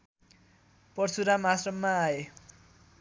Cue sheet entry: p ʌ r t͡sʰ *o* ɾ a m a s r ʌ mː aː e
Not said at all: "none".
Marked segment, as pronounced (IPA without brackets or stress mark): u